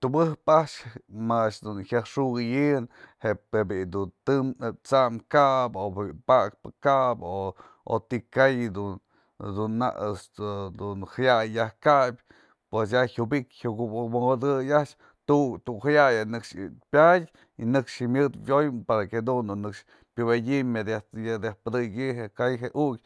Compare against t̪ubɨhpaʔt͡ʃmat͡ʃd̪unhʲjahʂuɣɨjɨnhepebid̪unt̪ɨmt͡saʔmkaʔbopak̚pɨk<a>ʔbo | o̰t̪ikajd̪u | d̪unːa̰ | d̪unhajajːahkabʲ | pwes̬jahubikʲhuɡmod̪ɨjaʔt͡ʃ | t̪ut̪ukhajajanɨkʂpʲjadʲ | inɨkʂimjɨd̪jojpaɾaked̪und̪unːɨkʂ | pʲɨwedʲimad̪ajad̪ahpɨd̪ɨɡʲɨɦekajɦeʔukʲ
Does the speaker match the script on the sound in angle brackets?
yes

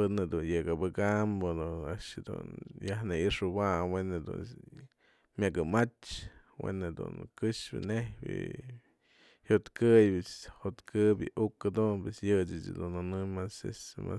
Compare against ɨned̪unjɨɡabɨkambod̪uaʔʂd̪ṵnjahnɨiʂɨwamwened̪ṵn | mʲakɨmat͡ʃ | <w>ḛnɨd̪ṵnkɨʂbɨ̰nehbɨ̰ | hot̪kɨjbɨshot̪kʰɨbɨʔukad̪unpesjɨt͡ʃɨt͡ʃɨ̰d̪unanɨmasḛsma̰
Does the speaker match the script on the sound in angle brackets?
yes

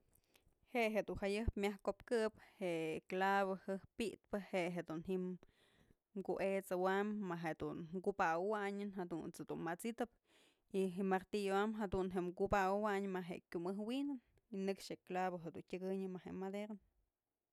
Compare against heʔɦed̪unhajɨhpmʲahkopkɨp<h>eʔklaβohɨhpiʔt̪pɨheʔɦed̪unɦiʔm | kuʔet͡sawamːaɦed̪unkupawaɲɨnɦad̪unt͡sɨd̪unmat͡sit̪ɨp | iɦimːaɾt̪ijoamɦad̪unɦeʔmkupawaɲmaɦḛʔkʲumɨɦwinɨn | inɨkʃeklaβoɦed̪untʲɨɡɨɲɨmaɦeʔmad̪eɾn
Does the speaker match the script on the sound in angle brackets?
yes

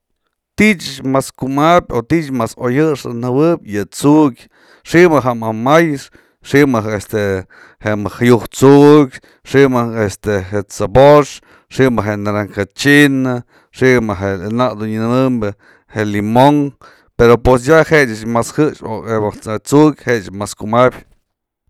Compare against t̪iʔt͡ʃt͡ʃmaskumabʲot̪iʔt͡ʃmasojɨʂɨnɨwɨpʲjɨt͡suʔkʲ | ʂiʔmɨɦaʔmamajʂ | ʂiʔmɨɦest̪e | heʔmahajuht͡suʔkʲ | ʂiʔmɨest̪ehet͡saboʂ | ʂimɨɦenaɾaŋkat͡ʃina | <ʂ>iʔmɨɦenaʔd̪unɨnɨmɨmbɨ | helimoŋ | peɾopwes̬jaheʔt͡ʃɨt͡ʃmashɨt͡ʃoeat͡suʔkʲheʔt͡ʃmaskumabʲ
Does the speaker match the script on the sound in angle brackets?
yes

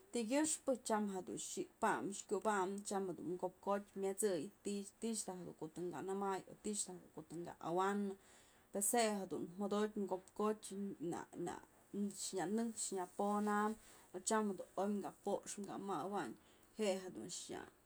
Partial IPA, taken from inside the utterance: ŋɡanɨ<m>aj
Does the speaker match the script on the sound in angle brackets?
yes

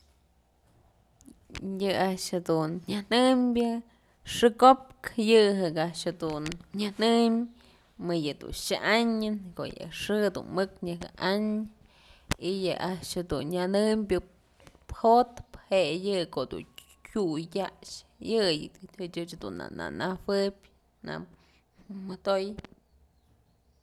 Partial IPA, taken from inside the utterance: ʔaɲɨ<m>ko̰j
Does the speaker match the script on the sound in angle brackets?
no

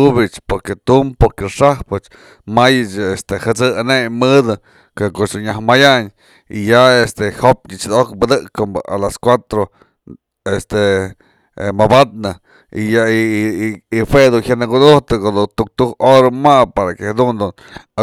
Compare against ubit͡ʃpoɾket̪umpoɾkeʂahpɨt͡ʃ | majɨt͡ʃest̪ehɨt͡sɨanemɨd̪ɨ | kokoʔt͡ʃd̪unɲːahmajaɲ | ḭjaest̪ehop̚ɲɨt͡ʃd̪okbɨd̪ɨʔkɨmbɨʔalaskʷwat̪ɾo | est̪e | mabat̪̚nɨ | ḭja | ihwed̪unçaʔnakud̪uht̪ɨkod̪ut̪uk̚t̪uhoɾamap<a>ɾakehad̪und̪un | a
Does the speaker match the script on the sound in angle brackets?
yes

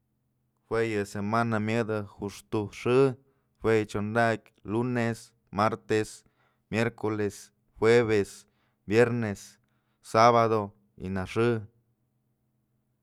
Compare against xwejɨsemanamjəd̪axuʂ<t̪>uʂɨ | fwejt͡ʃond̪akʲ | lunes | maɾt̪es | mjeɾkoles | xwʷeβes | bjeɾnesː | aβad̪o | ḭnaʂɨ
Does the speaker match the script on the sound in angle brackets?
yes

